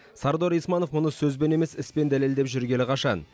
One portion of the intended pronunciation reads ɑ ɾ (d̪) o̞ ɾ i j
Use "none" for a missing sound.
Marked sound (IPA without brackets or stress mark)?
d̪